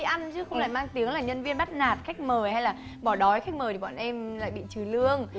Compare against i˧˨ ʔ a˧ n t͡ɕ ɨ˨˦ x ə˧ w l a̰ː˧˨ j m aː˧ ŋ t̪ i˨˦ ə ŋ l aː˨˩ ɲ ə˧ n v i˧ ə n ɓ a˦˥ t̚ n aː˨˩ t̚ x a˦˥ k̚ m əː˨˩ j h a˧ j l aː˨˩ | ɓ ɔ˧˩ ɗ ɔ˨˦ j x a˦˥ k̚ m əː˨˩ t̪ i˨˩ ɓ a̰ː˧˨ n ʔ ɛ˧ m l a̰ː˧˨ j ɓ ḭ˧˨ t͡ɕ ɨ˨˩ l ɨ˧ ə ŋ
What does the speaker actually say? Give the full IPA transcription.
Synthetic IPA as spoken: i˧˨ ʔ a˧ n t͡ɕ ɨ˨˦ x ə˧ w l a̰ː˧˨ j m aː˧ ŋ t̪ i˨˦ ə ŋ l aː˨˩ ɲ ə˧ n v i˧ ə n ɓ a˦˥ t̚ n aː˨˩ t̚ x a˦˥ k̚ m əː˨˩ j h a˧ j l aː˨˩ | ɓ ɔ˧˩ ɗ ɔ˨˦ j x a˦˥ k̚ m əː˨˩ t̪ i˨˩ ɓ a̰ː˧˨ n ʔ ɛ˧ m l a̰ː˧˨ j ɓ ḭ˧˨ t͡ɕ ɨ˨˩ l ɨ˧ ə ŋ